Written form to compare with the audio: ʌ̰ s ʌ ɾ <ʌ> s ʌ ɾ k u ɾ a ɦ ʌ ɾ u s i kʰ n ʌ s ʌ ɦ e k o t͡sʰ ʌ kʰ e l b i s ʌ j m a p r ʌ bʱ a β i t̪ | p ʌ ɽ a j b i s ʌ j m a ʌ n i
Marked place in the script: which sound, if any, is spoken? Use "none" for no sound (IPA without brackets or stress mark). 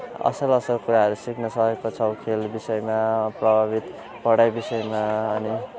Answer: ʌ